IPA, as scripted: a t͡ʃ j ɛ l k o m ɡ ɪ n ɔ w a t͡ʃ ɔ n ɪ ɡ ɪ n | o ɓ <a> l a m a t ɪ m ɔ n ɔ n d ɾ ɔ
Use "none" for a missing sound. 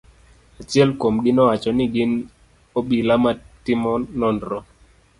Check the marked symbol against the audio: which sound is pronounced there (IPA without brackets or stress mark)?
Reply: i